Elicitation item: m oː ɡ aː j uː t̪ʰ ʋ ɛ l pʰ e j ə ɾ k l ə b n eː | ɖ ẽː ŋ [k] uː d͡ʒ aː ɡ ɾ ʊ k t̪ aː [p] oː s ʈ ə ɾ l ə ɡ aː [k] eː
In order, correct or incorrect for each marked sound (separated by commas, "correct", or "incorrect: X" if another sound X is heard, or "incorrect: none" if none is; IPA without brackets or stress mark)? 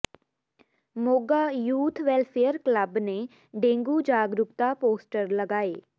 incorrect: ɡ, correct, incorrect: none